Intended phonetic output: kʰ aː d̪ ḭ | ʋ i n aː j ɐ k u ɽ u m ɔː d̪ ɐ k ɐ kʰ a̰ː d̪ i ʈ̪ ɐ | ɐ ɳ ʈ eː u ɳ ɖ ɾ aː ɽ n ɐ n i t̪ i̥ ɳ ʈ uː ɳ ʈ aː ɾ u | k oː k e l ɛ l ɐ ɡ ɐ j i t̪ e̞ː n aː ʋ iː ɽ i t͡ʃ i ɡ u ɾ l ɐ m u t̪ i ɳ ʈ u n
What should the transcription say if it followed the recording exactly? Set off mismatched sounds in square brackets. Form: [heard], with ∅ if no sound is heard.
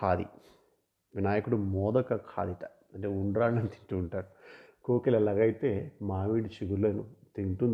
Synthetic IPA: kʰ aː d̪ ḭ | ʋ i n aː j ɐ k u ɽ u m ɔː d̪ ɐ k ɐ kʰ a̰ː d̪ i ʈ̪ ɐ | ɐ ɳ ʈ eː u ɳ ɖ ɾ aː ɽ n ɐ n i t̪ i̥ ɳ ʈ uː ɳ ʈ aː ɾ u | k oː k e l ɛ l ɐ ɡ ɐ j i t̪ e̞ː [m] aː ʋ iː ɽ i t͡ʃ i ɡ u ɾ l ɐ [n] u t̪ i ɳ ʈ u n